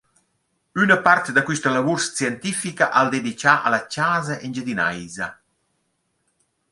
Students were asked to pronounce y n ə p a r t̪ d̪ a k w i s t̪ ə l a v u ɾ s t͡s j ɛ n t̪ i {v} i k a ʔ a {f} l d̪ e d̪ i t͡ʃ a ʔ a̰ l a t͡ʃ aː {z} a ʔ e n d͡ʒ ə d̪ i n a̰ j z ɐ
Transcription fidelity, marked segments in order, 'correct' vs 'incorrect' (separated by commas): incorrect, incorrect, correct